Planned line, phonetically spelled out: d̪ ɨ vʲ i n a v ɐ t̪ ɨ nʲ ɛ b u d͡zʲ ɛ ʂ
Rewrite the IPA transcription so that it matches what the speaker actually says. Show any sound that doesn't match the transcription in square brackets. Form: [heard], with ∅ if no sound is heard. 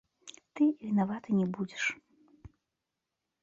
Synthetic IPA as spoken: [t̪] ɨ vʲ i n a v [a] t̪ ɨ nʲ ɛ b u d͡zʲ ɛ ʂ

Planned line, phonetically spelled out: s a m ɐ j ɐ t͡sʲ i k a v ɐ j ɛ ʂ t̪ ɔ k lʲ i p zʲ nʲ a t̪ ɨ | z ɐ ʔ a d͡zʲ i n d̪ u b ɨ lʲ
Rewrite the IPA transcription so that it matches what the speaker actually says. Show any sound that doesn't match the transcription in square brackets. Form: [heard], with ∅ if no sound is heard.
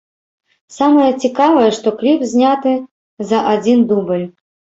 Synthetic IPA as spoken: s a m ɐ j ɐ t͡sʲ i k a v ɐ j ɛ ʂ t̪ ɔ k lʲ i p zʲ nʲ a t̪ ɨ | z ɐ ʔ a d͡zʲ i n d̪ u b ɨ lʲ

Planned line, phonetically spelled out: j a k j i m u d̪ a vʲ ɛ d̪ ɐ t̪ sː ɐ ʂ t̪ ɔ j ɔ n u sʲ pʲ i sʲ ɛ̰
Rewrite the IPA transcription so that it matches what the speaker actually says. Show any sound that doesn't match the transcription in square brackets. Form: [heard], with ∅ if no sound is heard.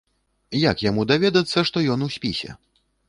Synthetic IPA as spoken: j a k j [a] m u d̪ a vʲ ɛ d̪ ɐ t̪ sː ɐ ʂ t̪ ɔ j ɔ n u sʲ pʲ i sʲ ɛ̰

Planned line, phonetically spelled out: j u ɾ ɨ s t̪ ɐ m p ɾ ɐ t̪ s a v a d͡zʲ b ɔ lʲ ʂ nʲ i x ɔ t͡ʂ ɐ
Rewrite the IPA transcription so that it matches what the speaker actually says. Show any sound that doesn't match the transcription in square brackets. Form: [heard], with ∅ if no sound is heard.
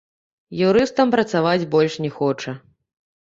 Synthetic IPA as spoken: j u ɾ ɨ s t̪ ɐ m p ɾ ɐ t̪ s a v a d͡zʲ b ɔ lʲ ʂ nʲ [ɛ] x ɔ t͡ʂ ɐ

